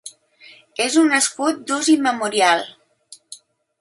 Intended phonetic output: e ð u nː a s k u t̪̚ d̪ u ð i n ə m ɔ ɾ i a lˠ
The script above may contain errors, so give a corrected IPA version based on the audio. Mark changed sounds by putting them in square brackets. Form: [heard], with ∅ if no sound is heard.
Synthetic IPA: e [z] u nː [ə] s k u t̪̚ d̪ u [z] i [m] ə m [u] ɾ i a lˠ